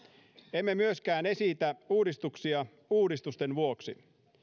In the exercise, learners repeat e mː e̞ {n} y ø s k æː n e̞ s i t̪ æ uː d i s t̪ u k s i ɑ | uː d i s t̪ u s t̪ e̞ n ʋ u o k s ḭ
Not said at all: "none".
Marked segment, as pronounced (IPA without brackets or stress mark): m